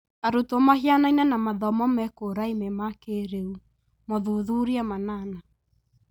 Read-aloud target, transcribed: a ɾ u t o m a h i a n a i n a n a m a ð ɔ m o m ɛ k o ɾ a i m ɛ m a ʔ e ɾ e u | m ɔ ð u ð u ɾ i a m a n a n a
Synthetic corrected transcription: a ɾ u t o m a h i a n a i n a n a m a ð ɔ m ɔ m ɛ k o ɾ a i m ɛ m a k e ɾ e u | m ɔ ð u ð u ɾ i a m a n a n a